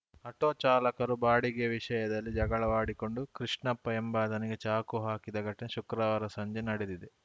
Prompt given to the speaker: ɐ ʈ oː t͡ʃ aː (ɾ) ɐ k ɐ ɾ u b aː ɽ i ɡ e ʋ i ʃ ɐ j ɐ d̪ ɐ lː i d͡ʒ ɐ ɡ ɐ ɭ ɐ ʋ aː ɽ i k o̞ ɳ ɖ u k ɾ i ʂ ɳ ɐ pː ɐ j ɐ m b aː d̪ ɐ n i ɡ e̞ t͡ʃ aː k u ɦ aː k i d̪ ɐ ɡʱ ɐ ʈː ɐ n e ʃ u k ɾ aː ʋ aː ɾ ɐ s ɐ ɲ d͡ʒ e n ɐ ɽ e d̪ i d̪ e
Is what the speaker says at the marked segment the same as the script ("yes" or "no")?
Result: no